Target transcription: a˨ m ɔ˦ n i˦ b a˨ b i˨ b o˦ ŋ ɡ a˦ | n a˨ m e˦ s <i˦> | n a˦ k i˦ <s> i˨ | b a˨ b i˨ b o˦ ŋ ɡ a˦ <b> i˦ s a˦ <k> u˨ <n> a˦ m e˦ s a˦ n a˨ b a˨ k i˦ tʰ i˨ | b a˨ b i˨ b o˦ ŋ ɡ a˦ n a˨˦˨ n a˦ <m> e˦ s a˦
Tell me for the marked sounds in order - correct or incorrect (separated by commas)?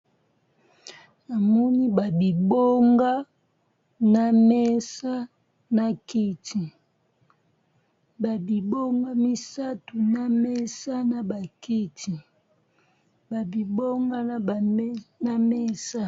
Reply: incorrect, incorrect, incorrect, incorrect, correct, correct